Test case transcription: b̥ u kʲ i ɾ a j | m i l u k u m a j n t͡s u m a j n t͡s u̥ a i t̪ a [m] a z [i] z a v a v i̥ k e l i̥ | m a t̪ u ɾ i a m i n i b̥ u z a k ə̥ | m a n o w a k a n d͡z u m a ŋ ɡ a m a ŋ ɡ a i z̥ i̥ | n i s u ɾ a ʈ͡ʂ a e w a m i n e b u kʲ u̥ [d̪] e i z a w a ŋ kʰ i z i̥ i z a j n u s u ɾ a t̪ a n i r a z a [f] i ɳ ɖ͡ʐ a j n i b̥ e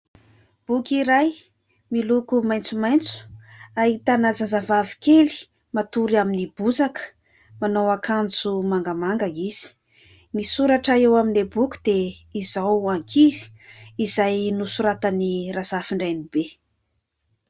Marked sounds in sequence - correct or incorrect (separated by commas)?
incorrect, incorrect, correct, correct